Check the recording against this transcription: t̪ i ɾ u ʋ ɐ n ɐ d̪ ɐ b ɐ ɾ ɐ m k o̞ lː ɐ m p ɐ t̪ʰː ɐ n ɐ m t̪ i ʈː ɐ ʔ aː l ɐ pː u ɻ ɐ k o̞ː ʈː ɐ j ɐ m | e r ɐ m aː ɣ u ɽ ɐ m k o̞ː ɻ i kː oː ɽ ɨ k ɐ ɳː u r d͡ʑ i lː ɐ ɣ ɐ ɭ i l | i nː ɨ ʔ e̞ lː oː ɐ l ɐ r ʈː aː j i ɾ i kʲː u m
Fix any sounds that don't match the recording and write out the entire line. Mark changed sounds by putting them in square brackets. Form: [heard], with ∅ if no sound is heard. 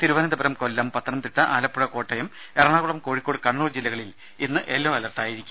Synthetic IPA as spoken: t̪ i ɾ u ʋ ɐ n ɐ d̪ ɐ b ɐ ɾ ɐ m k o̞ lː ɐ m p ɐ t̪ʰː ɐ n ɐ m t̪ i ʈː ɐ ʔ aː l ɐ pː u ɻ ɐ k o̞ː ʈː ɐ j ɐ m | e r ɐ [ɳ] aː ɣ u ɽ ɐ m k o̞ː ɻ i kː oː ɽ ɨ k ɐ ɳː [uː] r d͡ʑ i lː ɐ ɣ ɐ ɭ i l | i nː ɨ ʔ e̞ lː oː ɐ l ɐ r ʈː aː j i ɾ i kʲː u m